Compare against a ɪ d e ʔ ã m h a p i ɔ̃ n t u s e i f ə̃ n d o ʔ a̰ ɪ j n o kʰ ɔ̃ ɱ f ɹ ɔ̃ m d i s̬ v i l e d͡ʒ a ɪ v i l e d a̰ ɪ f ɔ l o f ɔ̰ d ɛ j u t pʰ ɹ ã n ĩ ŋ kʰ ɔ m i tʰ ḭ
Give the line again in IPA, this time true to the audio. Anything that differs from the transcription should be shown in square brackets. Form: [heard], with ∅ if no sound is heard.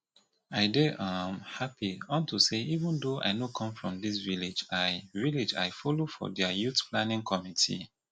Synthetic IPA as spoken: a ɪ d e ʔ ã m h a p i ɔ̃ n t u s e i [v] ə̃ n d o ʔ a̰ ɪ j n o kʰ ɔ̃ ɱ f ɹ ɔ̃ m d i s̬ v i l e d͡ʒ a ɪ v i l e [d͡ʒ] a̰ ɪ f ɔ l o f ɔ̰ d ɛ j u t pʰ [l] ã n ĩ ŋ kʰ ɔ m i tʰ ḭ